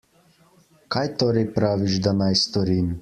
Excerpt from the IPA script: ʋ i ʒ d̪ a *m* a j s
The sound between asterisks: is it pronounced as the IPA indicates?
no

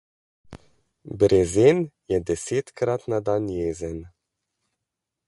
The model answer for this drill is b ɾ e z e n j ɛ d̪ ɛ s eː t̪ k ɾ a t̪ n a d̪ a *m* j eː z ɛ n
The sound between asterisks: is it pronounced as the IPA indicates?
no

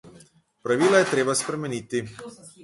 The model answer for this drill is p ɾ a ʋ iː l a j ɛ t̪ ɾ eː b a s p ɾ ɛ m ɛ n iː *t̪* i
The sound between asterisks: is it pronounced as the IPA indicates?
yes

